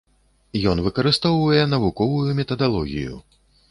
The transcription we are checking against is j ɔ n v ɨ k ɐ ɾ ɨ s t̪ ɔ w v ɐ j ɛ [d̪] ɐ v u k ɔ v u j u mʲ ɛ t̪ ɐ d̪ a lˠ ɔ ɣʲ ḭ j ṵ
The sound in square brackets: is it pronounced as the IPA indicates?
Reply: no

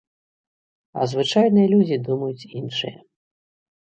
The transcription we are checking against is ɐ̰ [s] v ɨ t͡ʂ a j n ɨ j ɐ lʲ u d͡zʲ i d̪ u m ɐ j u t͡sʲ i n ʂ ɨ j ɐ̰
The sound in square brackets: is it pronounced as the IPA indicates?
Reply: no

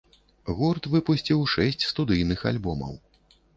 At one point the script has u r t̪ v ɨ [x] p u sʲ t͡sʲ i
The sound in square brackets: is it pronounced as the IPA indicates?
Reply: no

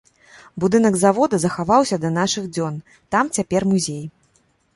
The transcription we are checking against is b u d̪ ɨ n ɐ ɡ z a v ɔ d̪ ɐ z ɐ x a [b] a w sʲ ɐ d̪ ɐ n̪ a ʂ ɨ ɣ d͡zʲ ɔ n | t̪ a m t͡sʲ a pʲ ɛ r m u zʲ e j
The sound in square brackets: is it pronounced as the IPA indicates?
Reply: no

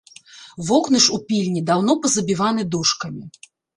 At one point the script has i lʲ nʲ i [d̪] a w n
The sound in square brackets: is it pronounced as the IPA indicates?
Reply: yes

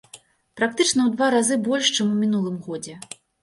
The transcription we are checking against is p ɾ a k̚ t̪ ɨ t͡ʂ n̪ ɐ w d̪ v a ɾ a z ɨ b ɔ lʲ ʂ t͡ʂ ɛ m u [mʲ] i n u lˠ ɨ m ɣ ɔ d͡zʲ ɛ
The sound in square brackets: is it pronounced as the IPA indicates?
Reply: yes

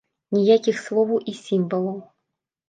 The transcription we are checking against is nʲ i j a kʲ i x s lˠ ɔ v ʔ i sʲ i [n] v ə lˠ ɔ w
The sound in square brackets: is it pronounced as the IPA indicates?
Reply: no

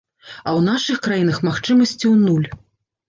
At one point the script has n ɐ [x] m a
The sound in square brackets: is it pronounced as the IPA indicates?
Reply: yes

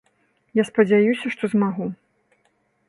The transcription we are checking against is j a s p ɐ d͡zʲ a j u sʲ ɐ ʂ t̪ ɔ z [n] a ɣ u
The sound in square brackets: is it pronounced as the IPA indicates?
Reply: no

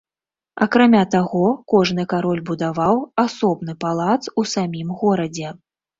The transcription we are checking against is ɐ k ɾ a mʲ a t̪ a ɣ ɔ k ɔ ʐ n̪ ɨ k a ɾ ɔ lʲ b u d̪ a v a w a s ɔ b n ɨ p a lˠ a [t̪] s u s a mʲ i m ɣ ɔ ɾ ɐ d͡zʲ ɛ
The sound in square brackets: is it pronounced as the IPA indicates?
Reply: yes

